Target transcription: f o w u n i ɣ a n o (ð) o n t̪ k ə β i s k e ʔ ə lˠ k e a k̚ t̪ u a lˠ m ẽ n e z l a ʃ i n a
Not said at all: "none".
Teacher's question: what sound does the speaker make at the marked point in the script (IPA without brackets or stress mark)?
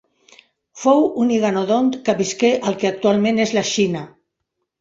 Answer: ð